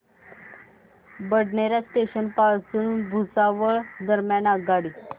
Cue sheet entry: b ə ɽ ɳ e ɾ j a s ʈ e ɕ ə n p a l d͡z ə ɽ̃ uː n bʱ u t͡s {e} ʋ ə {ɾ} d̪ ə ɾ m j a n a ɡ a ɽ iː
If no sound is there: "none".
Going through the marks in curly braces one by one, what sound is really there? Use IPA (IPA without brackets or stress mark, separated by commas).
a, ɭ